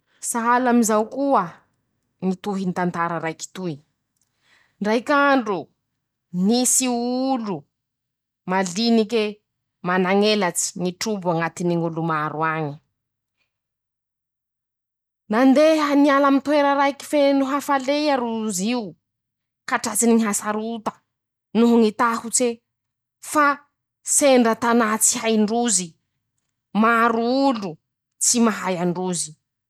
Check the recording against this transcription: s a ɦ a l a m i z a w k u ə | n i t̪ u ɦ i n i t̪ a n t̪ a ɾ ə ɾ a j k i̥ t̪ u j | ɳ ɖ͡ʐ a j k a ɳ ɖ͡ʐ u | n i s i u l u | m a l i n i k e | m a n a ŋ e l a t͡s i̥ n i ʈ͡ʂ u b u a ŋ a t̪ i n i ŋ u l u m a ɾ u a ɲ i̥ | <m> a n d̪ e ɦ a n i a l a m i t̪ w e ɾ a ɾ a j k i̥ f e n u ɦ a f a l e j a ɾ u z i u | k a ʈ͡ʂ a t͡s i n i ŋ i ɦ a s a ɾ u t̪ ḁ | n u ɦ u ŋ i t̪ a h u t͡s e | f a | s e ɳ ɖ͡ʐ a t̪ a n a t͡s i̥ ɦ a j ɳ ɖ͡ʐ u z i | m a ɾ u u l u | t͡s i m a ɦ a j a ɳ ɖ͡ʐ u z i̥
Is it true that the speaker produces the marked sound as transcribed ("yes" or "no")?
no